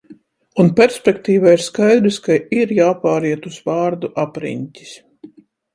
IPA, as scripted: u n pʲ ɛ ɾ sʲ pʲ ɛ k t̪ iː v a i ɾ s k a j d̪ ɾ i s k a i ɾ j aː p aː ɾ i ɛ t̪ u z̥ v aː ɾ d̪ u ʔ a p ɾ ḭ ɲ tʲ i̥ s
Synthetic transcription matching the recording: u n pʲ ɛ ɾ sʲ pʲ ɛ k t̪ iː v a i ɾ s k a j d̪ ɾ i s k a i ɾ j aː p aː ɾ i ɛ t̪ u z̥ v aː ɾ d̪ u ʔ a p ɾ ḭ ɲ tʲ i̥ s

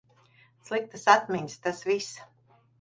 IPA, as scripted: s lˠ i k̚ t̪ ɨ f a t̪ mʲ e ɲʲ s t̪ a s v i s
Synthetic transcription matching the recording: s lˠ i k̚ t̪ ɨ s a t̪ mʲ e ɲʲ s t̪ a s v i s

